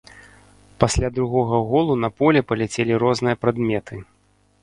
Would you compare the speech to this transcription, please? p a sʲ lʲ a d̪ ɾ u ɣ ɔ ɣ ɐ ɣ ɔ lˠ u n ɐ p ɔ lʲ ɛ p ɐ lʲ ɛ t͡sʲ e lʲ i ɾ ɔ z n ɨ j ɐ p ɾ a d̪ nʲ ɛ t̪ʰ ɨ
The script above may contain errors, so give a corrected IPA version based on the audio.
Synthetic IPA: p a sʲ lʲ a d̪ ɾ u ɣ ɔ ɣ ɐ ɣ ɔ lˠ u n ɐ p ɔ lʲ ɛ p ɐ lʲ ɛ t͡sʲ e lʲ i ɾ ɔ z n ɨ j ɐ p ɾ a d̪ mʲ ɛ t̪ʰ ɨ